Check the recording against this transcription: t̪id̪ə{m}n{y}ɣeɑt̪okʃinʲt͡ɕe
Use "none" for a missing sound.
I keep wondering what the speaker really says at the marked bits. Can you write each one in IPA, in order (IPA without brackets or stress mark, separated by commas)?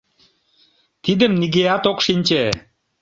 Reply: m, i